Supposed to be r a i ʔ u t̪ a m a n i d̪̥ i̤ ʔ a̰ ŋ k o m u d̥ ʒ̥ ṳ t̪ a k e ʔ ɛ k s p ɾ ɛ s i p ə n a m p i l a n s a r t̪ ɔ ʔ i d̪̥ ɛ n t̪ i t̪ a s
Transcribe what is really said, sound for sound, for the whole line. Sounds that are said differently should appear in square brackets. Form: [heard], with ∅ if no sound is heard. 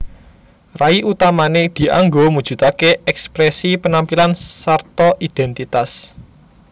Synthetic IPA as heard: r a i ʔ u t̪ a m a n [e] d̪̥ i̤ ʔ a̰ ŋ [ɡ] o m u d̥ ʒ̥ ṳ t̪ a k e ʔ ɛ k s p ɾ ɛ s i p ə n a m p i l a n s a r t̪ ɔ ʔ i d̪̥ ɛ n t̪ i t̪ a s